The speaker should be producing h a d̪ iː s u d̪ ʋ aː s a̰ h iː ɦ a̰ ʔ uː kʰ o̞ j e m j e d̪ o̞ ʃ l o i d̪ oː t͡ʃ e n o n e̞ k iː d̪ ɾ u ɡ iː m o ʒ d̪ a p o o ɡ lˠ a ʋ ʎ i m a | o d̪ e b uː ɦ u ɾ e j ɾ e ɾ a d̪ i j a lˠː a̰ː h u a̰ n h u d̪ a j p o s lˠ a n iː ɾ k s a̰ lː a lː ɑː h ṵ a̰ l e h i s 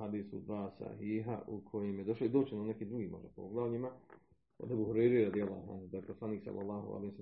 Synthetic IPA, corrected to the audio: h a d̪ iː s u d̪ ʋ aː s a̰ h iː ɦ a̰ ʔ u kʰ o̞ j e m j e d̪ o̞ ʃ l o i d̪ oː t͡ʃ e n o n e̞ k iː d̪ ɾ u ɡ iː m o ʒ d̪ a p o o ɡ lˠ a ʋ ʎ i m a | o d̪ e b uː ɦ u ɾ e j ɾ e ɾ a d̪ i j a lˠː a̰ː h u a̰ n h u d̪ a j p o s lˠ a n iː k s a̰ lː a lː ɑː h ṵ a̰ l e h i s